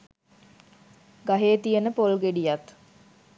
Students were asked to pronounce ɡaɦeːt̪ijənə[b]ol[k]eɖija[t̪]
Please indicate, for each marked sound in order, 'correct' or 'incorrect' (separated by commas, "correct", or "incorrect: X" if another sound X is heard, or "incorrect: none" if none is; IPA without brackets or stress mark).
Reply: incorrect: p, incorrect: ɡ, correct